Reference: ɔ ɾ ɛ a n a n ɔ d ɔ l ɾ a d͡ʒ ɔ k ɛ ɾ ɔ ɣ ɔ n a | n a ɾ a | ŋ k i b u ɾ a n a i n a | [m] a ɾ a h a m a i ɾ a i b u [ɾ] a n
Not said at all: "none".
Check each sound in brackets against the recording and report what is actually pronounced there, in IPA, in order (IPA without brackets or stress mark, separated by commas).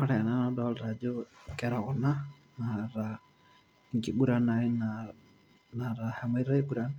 n, ɾ